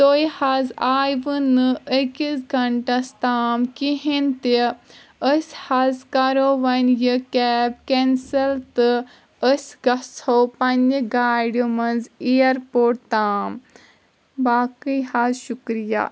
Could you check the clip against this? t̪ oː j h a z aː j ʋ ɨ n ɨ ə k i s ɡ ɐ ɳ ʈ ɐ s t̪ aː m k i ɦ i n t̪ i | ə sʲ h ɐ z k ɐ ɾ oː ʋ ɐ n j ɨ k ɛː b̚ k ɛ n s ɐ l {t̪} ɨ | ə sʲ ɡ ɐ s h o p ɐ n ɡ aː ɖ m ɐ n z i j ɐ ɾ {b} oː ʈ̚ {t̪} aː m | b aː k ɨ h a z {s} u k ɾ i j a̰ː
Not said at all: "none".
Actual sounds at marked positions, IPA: t̪, p, t̪, ʃ

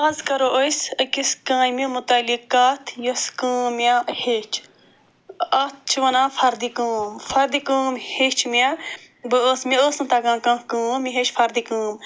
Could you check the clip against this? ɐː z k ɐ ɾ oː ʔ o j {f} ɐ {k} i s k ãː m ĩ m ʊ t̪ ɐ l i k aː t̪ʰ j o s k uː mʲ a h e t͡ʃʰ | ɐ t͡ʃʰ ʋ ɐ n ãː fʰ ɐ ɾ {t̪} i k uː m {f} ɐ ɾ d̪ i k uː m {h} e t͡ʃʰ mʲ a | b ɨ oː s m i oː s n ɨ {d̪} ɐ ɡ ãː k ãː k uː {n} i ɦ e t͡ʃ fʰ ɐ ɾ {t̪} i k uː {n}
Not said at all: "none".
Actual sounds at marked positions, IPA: s, k, d̪, f, h, t̪, m, d̪, m

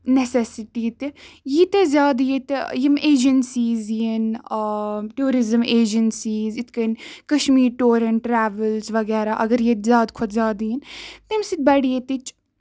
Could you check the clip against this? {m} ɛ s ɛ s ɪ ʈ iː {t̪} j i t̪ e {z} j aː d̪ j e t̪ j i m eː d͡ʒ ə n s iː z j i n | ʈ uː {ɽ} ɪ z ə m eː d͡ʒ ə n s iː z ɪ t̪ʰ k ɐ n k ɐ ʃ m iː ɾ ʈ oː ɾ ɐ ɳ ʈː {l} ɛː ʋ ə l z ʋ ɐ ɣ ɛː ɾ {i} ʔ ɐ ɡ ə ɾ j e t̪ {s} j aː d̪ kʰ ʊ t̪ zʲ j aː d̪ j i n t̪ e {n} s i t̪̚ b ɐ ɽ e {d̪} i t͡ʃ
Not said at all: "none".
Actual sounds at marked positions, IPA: n, t̪, z, ɾ, ɾ, a, z, m, t̪

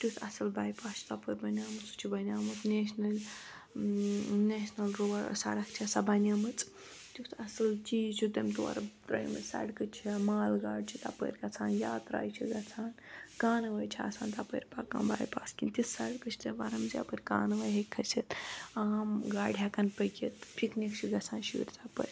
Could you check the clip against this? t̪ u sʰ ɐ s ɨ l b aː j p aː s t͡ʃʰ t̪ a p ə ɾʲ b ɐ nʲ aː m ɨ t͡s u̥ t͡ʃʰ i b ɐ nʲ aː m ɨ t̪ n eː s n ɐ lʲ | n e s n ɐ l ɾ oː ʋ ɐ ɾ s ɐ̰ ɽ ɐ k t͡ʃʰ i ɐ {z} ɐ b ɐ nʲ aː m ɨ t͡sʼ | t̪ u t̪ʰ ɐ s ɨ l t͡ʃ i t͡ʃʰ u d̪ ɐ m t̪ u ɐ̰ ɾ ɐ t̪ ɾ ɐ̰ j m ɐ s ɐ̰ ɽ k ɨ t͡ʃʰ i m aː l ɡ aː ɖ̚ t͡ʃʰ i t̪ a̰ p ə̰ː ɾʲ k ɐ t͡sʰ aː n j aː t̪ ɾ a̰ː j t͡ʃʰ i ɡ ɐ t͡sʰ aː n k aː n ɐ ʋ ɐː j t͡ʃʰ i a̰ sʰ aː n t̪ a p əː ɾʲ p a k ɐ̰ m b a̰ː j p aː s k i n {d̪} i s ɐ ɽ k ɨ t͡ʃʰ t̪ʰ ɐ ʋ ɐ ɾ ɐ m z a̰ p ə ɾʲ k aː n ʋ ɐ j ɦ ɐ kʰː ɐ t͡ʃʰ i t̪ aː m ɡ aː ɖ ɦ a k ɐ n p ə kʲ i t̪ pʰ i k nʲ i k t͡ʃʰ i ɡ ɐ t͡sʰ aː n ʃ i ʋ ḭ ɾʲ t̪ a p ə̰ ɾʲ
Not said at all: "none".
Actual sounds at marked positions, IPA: s, t̪

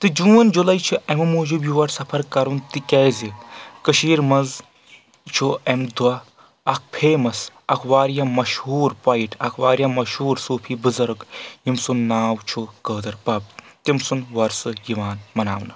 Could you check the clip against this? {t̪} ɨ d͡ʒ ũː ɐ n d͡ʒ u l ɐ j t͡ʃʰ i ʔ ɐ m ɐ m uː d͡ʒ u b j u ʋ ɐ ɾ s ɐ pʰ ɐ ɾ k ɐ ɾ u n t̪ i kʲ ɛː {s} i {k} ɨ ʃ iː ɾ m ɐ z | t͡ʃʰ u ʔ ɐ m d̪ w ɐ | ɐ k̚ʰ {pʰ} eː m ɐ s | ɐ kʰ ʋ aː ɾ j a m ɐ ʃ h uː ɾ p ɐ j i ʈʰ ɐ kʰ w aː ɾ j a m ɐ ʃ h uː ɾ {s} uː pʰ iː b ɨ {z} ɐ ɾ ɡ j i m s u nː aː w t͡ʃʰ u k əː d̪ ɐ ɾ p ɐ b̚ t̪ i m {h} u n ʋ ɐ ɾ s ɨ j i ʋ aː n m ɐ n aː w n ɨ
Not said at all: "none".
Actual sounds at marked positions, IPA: t̪, z, k, pʰ, s, z, s

